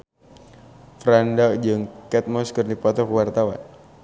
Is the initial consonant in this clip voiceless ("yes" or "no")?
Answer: yes